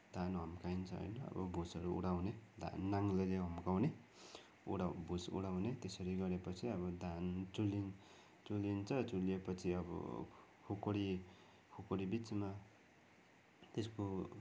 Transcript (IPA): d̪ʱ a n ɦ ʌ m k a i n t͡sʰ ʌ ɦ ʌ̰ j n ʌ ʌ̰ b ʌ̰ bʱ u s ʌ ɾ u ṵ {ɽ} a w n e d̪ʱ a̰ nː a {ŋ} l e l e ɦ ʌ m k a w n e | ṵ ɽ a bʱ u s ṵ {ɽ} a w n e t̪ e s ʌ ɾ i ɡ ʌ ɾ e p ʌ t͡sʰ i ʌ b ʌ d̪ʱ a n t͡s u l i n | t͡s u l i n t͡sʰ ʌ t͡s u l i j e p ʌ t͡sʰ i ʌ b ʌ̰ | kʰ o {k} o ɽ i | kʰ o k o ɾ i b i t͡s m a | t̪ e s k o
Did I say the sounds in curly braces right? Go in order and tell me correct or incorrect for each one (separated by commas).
correct, correct, correct, correct